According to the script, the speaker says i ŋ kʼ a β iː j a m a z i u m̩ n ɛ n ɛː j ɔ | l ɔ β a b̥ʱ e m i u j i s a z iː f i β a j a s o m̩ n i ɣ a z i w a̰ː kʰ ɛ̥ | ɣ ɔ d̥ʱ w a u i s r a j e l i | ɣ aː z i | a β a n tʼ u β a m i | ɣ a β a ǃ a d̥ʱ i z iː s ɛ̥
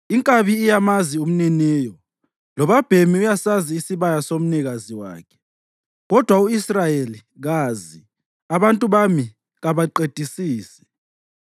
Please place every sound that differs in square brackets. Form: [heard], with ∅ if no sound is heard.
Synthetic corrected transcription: i ŋ kʼ a β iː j a m a z i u m̩ n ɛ n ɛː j ɔ | l ɔ β a b̥ʱ e m i u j [a] s a z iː [s] i β a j a s o m̩ n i ɣ a z i w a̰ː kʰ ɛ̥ | ɣ ɔ d̥ʱ w a u i s r a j e l i | ɣ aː z i | a β a n tʼ u β a m i | ɣ a β a ǃ [e] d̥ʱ i [s] iː s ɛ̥